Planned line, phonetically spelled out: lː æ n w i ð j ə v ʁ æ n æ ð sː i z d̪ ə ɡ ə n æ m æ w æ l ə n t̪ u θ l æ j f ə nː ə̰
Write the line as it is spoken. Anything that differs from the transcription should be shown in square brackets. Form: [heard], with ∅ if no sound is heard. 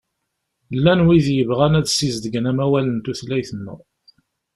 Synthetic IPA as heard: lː æ n w i ð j ə v ʁ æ n æ ð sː i z d̪ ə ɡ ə n æ m æ w æ l ə n t̪ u θ l æ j [θ] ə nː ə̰